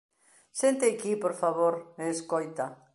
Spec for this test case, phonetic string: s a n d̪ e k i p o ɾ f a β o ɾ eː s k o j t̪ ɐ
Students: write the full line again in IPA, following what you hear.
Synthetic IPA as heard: s e n t̪ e k i p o ɾ f a β o ɾ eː s k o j t̪ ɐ